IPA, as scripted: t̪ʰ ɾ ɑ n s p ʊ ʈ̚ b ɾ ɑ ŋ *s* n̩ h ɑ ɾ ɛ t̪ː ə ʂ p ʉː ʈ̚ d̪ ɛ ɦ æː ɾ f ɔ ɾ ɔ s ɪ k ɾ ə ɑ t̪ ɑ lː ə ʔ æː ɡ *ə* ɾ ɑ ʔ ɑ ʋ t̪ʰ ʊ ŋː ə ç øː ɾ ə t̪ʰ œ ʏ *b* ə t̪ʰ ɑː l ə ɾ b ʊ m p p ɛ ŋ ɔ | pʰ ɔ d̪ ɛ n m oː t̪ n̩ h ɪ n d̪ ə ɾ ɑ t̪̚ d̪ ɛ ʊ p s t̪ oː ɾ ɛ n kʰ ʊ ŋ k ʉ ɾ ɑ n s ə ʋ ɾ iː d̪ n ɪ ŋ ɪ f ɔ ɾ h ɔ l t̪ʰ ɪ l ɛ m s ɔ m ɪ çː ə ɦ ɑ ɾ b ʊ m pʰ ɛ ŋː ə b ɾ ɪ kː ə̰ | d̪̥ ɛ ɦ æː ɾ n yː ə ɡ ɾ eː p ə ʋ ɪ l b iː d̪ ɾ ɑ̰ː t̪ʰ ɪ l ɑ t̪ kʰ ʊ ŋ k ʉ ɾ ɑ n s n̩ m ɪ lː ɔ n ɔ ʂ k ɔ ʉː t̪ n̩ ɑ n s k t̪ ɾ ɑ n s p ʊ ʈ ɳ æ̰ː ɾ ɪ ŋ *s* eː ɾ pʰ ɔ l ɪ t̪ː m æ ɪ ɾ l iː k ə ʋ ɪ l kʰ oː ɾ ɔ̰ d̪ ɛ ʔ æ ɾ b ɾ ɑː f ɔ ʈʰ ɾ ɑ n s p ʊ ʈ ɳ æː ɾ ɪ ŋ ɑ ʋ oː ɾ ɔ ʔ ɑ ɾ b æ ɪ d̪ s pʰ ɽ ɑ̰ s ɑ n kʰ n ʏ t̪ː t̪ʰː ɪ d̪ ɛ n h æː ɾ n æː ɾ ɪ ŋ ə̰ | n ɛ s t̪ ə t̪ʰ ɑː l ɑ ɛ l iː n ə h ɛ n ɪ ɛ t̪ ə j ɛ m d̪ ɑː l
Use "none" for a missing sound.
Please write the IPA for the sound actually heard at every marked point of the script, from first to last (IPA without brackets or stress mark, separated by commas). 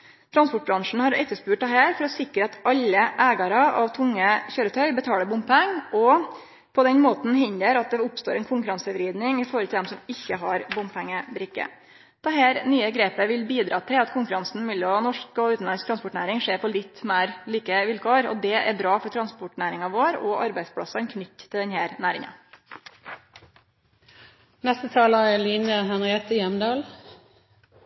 ʂ, ɑ, b, ʂ